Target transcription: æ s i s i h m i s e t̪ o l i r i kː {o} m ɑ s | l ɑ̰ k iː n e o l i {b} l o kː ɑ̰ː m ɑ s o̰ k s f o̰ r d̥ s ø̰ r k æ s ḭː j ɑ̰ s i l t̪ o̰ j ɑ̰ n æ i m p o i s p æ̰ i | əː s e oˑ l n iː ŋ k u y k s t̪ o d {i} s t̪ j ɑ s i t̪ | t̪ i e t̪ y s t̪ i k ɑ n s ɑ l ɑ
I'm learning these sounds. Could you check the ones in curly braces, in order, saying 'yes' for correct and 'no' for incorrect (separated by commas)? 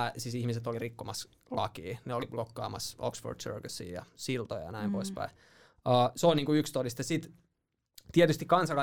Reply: yes, yes, yes